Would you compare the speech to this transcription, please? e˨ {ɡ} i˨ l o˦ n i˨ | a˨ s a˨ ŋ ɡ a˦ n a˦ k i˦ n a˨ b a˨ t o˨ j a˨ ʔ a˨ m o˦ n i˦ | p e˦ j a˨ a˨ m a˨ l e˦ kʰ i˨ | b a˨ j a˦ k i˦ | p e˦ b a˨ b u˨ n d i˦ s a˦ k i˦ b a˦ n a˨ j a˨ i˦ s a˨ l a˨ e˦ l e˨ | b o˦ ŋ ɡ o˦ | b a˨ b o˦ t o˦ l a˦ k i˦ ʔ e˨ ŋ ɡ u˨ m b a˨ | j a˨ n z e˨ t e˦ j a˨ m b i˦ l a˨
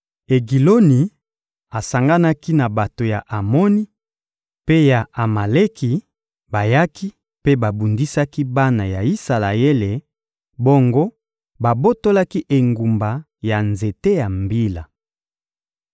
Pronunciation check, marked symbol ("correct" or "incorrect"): correct